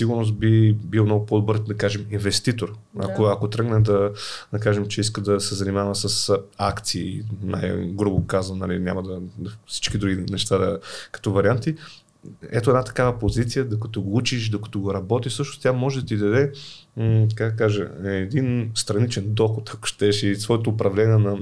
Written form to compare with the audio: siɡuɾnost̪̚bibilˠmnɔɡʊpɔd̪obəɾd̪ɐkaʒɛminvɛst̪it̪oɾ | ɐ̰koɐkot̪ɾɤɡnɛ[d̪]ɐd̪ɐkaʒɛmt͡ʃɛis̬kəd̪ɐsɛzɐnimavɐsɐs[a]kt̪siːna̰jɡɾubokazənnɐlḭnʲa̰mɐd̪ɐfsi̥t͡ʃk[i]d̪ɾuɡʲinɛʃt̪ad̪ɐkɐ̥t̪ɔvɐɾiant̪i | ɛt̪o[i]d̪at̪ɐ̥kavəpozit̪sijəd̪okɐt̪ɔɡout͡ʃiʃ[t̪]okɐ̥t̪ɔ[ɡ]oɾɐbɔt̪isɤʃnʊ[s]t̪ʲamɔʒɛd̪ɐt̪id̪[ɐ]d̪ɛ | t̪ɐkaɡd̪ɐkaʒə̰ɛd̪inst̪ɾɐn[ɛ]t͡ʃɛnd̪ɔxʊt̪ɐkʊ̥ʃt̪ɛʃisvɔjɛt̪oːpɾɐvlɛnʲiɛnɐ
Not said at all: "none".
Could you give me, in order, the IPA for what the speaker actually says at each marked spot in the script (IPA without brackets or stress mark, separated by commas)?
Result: d̪, a, i, ɛ, d̪, ɡ, s, ɐ, i